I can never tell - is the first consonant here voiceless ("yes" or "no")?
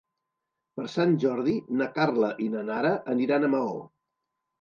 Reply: yes